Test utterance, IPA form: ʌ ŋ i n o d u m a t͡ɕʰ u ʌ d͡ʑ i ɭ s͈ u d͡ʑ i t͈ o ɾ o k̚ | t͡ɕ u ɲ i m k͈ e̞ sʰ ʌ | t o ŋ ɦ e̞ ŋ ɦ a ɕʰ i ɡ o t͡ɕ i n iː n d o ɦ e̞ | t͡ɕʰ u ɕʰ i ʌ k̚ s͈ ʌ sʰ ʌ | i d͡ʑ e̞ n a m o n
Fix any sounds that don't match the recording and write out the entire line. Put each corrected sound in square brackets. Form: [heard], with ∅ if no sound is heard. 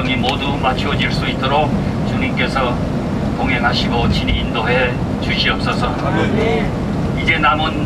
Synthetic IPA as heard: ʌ ŋ i [m] o d u m a t͡ɕʰ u ʌ d͡ʑ i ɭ s͈ u [∅] i t͈ o ɾ o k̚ | t͡ɕ u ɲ i m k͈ e̞ sʰ ʌ | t o ŋ ɦ e̞ ŋ ɦ a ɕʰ i ɡ o t͡ɕ i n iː n d o ɦ e̞ | [t͡ɕ] u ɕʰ i ʌ [p̚] s͈ ʌ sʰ ʌ | i d͡ʑ e̞ n a m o n